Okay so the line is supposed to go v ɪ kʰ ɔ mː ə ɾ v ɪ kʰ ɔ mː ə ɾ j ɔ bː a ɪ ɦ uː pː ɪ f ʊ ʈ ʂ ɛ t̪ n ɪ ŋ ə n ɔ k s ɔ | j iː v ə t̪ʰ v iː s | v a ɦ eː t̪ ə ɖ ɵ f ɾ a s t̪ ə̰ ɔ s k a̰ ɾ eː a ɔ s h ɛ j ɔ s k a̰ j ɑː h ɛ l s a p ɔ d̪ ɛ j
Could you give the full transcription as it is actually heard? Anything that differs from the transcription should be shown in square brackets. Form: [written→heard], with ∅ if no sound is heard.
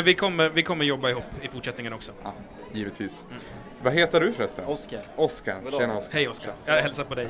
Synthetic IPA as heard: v ɪ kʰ ɔ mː ə ɾ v ɪ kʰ ɔ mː ə ɾ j ɔ bː a ɪ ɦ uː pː ɪ f ʊ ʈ ʂ ɛ t̪ n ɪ ŋ ə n ɔ k s ɔ | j iː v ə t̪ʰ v iː s | v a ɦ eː t̪ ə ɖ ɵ f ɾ [a→ɛ] s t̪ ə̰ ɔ s k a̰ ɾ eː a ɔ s h ɛ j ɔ s k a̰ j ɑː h ɛ l s a p ɔ d̪ ɛ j